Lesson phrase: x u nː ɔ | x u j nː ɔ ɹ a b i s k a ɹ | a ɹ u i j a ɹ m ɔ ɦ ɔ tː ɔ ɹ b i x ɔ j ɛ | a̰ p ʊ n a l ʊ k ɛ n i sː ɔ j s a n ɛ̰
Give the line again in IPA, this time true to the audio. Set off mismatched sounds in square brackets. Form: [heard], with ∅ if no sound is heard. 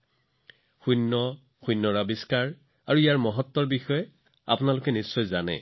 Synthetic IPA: x u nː ɔ | x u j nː ɔ ɹ a b i s k a ɹ | a ɹ u i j a ɹ m ɔ ɦ ɔ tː ɔ ɹ b i x ɔ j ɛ | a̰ p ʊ n a l ʊ k ɛ n i sː ɔ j [z] a n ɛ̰